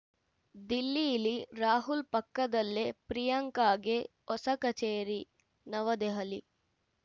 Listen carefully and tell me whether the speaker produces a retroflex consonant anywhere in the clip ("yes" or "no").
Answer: no